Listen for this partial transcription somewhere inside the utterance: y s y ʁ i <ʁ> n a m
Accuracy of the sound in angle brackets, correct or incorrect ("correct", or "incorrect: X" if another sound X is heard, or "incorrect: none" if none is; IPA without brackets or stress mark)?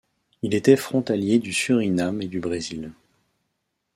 incorrect: none